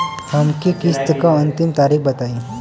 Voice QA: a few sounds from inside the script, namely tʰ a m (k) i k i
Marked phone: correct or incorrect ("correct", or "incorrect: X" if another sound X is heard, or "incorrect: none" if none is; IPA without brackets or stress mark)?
correct